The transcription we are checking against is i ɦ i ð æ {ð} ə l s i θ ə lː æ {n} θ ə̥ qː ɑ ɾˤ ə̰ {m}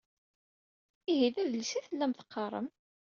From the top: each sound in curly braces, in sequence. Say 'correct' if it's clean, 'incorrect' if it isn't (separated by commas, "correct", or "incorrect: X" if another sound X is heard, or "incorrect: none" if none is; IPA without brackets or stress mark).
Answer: correct, incorrect: m, correct